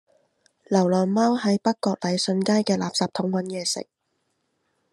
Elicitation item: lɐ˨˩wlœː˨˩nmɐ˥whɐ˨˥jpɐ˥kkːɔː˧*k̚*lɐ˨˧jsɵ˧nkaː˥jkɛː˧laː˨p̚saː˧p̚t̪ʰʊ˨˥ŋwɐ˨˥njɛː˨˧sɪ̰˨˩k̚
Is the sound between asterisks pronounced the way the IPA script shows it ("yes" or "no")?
yes